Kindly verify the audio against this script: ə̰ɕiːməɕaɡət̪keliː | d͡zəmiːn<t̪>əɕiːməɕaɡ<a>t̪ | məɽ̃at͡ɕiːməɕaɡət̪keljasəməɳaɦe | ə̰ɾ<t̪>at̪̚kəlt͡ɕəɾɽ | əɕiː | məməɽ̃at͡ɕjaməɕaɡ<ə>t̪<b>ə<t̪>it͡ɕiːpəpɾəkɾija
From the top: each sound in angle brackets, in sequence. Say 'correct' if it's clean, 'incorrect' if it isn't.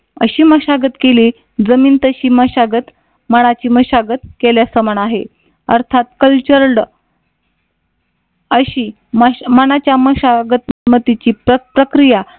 correct, incorrect: ə, incorrect: t̪ʰ, correct, incorrect: m, correct

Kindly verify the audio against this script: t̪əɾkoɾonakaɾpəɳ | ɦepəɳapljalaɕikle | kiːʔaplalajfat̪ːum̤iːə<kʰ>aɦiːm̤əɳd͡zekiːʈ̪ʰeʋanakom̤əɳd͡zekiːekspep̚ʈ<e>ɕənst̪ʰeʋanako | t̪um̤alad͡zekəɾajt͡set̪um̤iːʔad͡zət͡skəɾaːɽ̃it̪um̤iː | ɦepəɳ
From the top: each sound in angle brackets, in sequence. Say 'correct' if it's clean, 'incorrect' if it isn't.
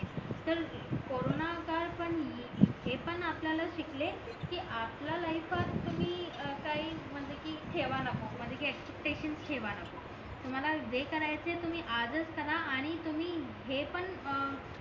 incorrect: k, correct

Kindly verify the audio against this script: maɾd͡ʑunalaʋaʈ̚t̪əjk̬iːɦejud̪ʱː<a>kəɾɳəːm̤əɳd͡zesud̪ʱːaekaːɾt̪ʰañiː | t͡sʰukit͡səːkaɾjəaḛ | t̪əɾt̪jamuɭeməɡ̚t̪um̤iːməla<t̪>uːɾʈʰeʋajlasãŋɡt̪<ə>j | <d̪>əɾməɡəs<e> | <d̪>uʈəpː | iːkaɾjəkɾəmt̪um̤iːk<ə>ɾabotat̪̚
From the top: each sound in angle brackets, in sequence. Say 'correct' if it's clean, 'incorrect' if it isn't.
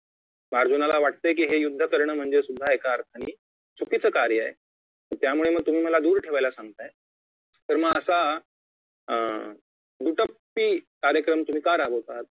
incorrect: ə, incorrect: d̪, incorrect: a, incorrect: t̪, incorrect: a, correct, incorrect: a

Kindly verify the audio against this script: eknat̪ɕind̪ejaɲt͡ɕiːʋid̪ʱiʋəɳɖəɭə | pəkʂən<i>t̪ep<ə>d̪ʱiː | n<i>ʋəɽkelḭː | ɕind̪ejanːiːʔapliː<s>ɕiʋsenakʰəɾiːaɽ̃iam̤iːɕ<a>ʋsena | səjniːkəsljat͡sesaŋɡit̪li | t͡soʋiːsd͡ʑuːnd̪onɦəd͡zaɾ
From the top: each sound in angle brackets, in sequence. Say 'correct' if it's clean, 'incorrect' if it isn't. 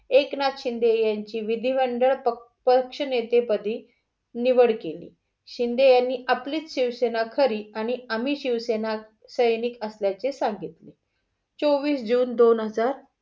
incorrect: e, correct, correct, incorrect: t͡s, incorrect: i

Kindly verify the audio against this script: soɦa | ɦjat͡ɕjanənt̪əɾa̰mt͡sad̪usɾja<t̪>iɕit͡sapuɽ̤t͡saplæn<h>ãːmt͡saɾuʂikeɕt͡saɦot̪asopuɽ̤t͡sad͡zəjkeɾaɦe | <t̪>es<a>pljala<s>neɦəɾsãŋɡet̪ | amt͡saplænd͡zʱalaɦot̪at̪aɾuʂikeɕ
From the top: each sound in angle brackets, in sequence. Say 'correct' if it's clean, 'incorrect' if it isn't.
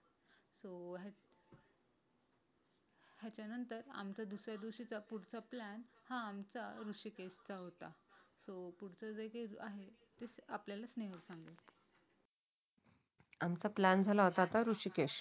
incorrect: d̪, correct, correct, correct, correct

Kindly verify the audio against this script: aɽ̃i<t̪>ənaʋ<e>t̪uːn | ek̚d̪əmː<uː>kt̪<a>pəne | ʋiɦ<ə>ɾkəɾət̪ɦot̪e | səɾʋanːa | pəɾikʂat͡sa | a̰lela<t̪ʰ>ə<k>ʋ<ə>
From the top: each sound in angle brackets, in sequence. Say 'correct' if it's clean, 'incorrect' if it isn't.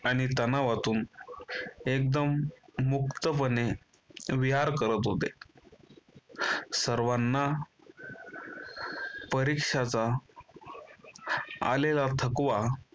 correct, incorrect: a, incorrect: u, incorrect: ə, incorrect: a, correct, correct, incorrect: a

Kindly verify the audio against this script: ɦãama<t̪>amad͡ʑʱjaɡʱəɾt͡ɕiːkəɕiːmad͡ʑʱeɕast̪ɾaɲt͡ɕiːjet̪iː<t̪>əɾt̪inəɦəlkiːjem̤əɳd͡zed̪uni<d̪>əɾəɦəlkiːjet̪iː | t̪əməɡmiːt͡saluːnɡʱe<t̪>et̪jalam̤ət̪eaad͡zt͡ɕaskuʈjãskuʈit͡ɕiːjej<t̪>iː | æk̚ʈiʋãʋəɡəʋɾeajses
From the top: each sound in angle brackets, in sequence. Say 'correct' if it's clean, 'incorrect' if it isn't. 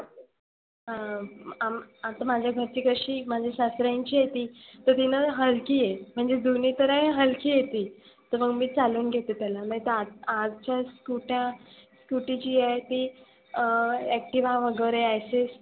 correct, correct, incorrect: t̪, correct, correct

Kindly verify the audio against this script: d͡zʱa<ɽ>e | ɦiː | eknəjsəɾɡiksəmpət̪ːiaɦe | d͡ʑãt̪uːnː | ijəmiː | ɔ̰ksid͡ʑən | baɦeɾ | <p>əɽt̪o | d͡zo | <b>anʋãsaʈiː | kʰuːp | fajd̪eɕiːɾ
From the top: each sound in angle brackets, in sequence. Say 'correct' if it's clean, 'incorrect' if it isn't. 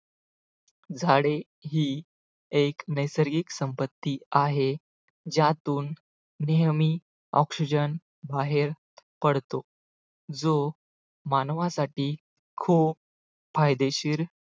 correct, correct, incorrect: m

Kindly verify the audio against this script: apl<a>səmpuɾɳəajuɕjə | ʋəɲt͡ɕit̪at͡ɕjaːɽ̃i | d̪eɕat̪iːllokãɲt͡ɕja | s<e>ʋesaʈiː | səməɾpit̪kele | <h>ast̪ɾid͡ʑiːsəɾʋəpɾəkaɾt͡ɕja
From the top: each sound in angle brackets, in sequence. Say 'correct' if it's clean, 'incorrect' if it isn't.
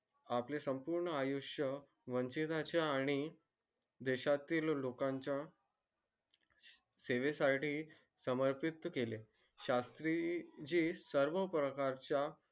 incorrect: e, correct, incorrect: ɕ

